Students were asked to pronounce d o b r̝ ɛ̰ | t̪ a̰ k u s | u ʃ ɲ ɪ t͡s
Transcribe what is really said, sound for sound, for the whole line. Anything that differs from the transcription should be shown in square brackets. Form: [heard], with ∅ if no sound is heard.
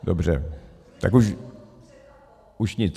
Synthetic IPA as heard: d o b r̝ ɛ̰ | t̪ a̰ k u [ʃ] | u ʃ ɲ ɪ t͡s